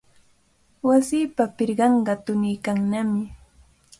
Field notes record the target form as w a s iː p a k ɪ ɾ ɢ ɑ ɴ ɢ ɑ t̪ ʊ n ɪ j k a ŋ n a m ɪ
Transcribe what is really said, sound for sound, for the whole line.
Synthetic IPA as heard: w a s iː p a p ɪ ɾ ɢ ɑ ɴ ɢ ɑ t̪ ʊ n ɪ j k a ŋ n a m ɪ